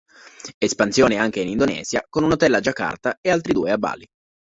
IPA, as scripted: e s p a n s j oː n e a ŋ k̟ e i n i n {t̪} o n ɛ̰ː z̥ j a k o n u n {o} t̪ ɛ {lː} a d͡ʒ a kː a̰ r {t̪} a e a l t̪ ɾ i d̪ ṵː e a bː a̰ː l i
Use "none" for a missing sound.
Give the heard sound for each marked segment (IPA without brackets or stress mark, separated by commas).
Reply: d̪, o, lː, t̪